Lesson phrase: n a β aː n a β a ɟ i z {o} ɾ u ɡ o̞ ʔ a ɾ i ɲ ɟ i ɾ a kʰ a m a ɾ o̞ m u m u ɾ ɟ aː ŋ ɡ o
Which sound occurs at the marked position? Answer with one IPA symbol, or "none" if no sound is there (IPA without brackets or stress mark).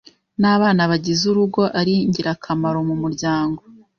u